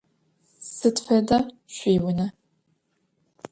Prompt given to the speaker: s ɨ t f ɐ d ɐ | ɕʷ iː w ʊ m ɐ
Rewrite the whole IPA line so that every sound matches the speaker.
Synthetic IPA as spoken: s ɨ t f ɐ d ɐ | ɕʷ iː w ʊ n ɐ